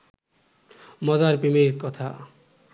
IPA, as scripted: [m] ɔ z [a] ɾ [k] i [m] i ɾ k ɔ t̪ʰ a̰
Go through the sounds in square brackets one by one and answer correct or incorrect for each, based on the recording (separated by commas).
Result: correct, correct, incorrect, correct